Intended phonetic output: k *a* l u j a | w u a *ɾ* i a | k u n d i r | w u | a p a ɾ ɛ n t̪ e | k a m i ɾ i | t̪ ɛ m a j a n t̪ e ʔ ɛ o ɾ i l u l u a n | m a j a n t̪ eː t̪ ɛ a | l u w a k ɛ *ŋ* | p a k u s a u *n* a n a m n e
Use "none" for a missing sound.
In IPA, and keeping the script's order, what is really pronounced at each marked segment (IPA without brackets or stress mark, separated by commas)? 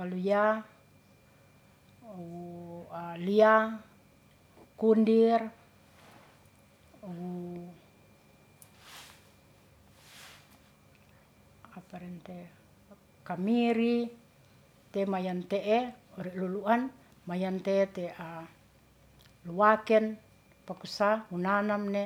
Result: a, l, n, n